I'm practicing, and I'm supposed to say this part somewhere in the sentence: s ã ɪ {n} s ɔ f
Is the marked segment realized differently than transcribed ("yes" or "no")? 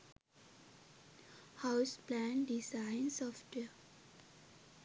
no